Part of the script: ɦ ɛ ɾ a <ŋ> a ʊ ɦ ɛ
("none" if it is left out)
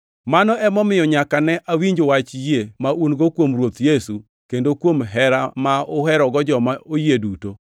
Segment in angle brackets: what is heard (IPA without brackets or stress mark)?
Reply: m